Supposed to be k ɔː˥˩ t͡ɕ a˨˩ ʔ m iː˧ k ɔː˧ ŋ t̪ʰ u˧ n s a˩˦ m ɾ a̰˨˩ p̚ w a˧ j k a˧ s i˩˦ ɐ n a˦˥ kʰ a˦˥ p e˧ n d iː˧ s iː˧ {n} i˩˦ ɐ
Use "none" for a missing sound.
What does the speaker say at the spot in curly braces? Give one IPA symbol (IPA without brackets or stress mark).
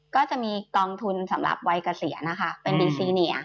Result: n